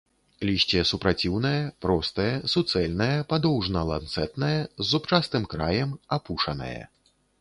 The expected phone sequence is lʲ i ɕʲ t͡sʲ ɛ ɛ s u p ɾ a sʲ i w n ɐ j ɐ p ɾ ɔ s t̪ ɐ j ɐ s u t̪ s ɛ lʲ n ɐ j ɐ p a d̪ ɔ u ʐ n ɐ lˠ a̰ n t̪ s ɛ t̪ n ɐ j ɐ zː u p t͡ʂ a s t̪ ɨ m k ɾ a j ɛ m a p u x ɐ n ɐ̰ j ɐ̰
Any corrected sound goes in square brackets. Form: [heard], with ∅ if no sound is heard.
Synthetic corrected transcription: lʲ i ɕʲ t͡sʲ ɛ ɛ s u p ɾ a [t͡sʲ] i w n ɐ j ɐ p ɾ ɔ s t̪ ɐ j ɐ s u t̪ s ɛ lʲ n ɐ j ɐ p a d̪ ɔ [w] ʐ n ɐ lˠ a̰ n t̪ s ɛ t̪ n ɐ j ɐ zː u p t͡ʂ a s t̪ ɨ m k ɾ a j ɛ m a p u [ʂ] ɐ n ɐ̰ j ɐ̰